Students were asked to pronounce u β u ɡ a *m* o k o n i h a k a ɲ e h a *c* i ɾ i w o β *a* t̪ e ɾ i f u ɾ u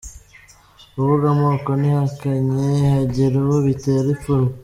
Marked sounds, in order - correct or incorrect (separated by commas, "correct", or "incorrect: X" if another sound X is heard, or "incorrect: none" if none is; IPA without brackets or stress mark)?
correct, incorrect: ɟ, incorrect: i